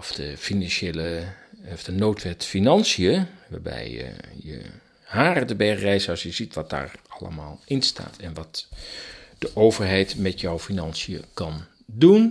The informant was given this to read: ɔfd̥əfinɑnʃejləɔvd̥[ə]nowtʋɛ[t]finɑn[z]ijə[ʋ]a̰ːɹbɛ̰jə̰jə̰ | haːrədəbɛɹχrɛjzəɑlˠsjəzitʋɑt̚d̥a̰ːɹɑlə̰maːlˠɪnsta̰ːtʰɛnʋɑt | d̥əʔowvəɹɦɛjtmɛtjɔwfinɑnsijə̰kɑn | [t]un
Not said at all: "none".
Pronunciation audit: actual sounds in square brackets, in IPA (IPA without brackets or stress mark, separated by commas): ə, t, s, ʋ, d